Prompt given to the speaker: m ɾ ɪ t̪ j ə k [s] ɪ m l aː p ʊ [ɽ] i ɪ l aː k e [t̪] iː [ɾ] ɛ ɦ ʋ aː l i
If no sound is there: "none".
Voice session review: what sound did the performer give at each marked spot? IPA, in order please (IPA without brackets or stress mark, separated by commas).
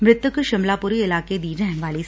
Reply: ʃ, ɾ, d̪, ɾ